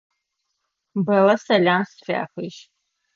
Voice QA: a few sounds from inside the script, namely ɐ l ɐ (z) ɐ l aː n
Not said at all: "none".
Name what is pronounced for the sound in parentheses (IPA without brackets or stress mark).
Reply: s